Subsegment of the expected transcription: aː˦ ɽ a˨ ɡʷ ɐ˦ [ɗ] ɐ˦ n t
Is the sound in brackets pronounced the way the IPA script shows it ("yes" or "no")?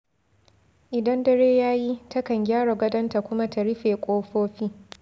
no